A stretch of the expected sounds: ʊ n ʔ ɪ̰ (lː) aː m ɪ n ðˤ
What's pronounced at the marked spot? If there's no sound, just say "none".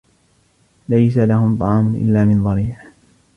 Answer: lː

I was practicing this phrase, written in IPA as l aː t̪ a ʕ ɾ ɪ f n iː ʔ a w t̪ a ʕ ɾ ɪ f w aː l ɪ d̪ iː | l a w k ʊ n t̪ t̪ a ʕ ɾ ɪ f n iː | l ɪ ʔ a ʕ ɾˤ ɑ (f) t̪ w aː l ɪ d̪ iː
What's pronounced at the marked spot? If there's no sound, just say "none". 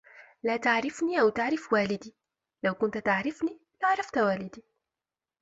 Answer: f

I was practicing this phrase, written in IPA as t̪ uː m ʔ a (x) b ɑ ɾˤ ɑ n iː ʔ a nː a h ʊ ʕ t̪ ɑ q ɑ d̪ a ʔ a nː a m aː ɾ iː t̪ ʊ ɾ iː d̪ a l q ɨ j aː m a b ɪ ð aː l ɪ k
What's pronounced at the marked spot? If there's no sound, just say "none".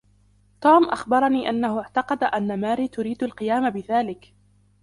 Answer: x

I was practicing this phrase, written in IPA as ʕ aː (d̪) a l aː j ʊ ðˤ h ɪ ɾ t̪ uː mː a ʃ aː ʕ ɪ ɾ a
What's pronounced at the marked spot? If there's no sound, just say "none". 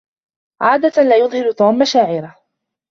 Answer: d̪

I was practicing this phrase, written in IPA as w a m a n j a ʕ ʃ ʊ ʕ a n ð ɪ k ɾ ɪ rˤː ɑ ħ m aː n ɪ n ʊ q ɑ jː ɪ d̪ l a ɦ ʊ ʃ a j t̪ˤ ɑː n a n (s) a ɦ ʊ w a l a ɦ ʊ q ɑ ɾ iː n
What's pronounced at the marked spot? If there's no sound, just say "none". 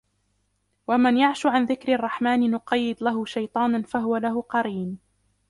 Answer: f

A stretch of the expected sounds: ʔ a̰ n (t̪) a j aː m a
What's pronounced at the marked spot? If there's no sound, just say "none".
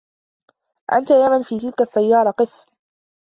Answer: t̪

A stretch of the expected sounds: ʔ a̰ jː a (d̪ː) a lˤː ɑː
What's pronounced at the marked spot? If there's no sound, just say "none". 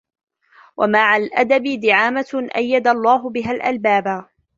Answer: d̪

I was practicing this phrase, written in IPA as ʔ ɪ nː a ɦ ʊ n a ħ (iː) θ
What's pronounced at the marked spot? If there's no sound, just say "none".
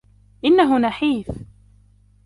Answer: iː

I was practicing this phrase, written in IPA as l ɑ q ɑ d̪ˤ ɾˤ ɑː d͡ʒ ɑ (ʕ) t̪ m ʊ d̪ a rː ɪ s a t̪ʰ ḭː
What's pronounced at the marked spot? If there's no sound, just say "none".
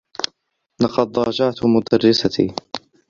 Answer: ʕ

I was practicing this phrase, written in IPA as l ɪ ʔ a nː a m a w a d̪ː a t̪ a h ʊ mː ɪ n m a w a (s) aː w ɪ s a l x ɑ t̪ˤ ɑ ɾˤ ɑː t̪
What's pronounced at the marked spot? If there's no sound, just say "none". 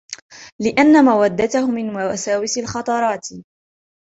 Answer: s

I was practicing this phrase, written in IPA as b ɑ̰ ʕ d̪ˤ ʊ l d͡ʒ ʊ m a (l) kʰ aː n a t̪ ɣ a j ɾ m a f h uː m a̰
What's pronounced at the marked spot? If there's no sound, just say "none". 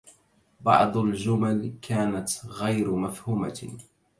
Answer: l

